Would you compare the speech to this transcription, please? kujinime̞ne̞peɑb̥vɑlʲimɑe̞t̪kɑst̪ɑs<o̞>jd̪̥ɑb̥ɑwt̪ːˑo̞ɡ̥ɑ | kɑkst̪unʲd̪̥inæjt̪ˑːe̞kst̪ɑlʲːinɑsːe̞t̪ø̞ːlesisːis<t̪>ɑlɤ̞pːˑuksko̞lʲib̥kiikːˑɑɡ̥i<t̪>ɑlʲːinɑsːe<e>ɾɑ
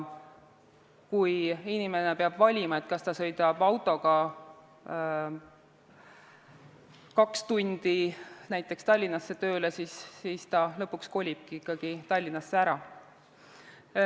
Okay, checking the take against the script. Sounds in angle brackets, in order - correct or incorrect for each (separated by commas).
incorrect, correct, correct, incorrect